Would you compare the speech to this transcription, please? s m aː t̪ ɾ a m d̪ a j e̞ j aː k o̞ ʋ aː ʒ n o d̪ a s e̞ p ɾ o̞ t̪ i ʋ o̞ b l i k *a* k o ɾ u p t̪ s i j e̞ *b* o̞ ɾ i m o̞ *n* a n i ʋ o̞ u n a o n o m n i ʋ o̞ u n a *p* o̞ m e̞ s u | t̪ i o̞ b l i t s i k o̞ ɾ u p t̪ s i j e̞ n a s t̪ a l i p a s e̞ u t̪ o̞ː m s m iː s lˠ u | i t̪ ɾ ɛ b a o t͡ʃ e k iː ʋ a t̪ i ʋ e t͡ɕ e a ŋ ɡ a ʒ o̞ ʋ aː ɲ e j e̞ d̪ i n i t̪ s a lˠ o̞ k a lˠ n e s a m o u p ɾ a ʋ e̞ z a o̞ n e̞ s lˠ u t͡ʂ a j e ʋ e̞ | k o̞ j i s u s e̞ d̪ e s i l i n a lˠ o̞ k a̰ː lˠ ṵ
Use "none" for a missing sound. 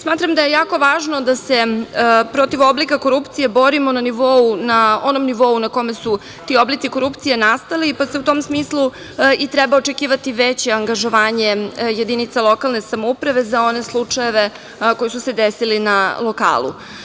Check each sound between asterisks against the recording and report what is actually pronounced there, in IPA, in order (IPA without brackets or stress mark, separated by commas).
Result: a, b, n, k